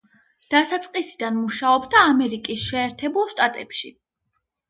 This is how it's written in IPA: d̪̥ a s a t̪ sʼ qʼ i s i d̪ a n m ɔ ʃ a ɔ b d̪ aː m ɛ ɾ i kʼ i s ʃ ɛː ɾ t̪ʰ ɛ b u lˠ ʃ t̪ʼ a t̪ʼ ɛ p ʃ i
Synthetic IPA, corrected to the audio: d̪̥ a s a t̪ sʼ qʼ i s i d̪ a n m u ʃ a ɔ b d̪ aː m ɛ ɾ i kʼ i s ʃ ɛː ɾ t̪ʰ ɛ b u lˠ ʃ t̪ʼ a t̪ʼ ɛ p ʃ i